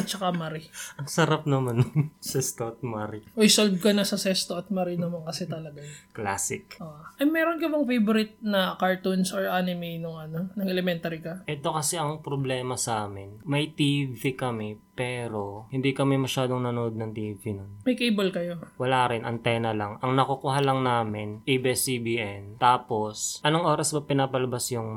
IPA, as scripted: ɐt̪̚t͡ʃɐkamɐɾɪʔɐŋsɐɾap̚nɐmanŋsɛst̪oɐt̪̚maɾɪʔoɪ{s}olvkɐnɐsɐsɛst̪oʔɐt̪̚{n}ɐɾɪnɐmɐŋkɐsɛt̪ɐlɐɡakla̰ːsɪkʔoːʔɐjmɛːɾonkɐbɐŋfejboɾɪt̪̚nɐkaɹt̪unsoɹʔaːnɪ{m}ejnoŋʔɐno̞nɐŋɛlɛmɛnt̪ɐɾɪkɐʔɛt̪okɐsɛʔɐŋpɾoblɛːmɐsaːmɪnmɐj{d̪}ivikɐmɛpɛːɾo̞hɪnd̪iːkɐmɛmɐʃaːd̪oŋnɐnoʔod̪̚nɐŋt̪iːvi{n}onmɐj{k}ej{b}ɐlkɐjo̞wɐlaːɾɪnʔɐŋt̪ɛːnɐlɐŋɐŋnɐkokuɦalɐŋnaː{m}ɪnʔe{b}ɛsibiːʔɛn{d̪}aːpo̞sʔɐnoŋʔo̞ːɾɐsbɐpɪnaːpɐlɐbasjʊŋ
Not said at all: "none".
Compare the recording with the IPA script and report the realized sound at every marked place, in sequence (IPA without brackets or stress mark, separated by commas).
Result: s, m, m, t̪, n, k, b, m, b, t̪